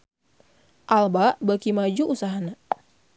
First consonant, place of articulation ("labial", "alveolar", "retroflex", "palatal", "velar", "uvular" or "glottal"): glottal